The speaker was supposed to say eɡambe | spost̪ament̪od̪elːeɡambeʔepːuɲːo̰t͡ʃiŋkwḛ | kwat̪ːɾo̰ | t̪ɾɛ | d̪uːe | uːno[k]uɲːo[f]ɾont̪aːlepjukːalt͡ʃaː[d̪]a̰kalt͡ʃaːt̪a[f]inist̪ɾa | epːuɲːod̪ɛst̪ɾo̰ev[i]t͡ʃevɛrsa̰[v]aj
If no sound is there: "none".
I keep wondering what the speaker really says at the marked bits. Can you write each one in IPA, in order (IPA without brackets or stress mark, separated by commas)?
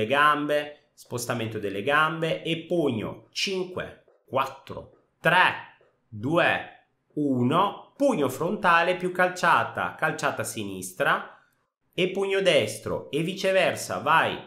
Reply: p, f, t̪, s, i, v